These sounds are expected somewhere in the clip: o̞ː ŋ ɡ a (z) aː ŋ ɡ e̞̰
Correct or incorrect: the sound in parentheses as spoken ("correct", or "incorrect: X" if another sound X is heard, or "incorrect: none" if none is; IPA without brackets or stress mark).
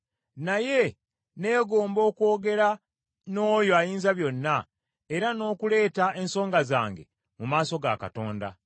correct